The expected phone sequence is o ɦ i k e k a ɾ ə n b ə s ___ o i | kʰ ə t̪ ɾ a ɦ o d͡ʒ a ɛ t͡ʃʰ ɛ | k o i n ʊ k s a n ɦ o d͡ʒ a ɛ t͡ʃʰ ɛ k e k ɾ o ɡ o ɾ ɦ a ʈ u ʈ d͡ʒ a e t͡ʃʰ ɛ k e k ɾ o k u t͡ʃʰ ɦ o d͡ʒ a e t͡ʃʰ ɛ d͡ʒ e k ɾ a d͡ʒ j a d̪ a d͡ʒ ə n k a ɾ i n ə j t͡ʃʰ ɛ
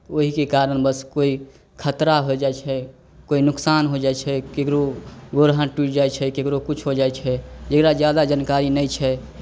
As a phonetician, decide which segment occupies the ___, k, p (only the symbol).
k